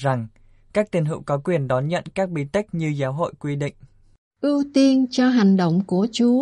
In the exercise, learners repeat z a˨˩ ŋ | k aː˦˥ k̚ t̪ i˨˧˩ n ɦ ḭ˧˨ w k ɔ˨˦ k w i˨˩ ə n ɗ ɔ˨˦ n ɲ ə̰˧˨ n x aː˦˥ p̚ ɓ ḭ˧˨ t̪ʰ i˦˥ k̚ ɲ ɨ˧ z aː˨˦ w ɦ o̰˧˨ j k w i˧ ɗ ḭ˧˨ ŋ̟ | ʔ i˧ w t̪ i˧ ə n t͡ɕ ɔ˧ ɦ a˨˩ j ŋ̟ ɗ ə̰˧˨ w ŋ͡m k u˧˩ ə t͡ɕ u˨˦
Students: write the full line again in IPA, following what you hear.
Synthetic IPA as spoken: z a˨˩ ŋ | k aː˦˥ k̚ t̪ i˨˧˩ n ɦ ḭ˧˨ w k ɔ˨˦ k w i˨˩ ə n ɗ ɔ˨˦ n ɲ ə̰˧˨ n k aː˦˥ k̚ ɓ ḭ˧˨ t̪ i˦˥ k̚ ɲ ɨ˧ z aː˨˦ w ɦ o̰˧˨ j k w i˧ ɗ ḭ˧˨ ŋ̟ | ʔ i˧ w t̪ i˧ ə n t͡ɕ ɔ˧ ɦ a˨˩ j ŋ̟ ɗ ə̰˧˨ w ŋ͡m k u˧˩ ə t͡ɕ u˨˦